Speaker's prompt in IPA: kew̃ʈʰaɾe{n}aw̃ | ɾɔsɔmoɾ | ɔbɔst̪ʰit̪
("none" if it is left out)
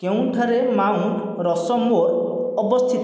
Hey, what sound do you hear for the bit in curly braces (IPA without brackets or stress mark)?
m